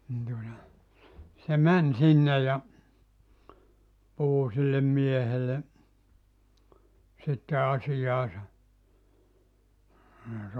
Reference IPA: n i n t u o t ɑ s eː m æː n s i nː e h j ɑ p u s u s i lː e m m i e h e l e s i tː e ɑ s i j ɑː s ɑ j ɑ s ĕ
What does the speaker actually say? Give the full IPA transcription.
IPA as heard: n i n t u o t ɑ s e m æ n s i nː e j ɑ p u h u s i lː e m m i e h e l e s i tː e ɑ s i j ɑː s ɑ j ɑ s ĕ

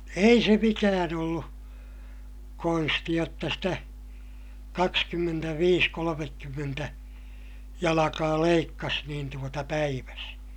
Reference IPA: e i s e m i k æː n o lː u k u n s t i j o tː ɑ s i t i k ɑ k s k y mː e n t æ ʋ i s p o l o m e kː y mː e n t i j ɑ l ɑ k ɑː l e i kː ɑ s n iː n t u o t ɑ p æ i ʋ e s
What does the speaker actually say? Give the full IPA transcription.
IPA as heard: e i s e m i k æː n o lː u k o n s t i j o tː ɑ s i t æ k ɑ k s k y mː e n t æ ʋ iː s k o l o m e kː y mː e n t æ j ɑ l ɑ k ɑː l e i kː ɑ s n iː n t u o t ɑ p æ i ʋ æ s

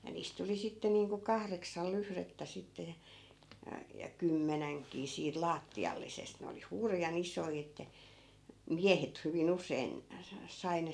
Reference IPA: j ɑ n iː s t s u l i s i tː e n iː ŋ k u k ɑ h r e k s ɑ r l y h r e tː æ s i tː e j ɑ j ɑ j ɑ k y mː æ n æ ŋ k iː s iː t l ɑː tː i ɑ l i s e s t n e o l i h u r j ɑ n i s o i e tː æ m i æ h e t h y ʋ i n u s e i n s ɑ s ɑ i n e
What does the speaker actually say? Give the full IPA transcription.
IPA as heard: j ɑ n iː s t t u l i s i tː e n iː ŋ k u k ɑ h r e k s ɑ l l y h r e tː æ s i tː e j ɑ j ɑ j ɑ k y mː æ n æ ŋ k iː s iː t l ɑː tː i ɑ lː i s e s t n e o l i h u r j ɑ n i s o i e tː æ m i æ h e t h y ʋ i n u s e i n s ɑ s ɑ i n e

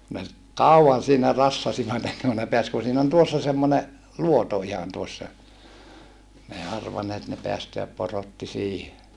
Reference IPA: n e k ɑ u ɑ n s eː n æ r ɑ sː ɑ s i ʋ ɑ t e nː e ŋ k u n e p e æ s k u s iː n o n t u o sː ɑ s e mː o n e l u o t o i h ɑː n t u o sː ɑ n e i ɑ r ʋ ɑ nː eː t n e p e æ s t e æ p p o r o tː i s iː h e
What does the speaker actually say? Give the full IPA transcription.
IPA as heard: n e k ɑ u ɑ n s iː n æ r ɑ sː ɑ s i ʋ ɑ t e nː e ŋ k u n e p e æ s k u s iː n o n t u o sː ɑ s e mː o n e l u o t o i h ɑ n t u o sː ɑ n e i ɑ r ʋ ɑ nː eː t n e p e æ s t e æ p p o r o tː i s iː h e

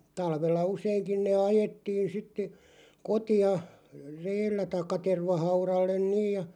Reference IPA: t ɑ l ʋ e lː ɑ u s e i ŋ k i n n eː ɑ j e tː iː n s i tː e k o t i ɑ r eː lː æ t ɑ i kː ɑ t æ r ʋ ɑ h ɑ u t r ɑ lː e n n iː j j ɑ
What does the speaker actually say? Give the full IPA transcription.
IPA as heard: t ɑ l ʋ e lː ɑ u s e i ŋ k i n n eː ɑ j e tː iː n s i tː e k o t i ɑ r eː lː æ t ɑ i kː ɑ t e r ʋ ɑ h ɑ u r ɑ lː e n n iː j j ɑ

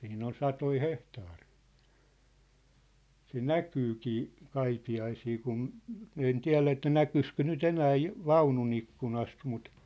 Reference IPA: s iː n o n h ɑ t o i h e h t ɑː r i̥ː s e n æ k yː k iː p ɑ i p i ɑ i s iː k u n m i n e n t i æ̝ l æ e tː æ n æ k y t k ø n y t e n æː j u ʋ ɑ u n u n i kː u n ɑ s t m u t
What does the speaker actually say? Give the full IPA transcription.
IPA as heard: s iː n o n s ɑ t o i h e h t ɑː r i̥ː s e n æ k yː k iː k ɑ i p i ɑ i s iː k u n m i n e n t i æ̝ l æ e tː æ n æ k y s k ø n y t e n æː j u ʋ ɑ u n u n i kː u n ɑ s t m u t

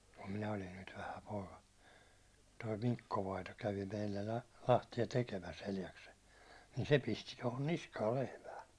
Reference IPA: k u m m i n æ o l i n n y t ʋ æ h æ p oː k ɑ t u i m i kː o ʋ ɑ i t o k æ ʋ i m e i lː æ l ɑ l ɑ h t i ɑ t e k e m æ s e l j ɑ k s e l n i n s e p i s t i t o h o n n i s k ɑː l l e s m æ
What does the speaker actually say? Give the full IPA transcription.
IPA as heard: k u m m i n æ o l i n n y t ʋ æ h æ p oː k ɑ t o i m i kː o ʋ ɑ i t o k æ ʋ i m e i lː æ l ɑ l ɑ h t i ɑ t e k e m æ s e l j ɑ k s e l n i n s e p i s t i t o h o n n i s k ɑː l l e h m æː

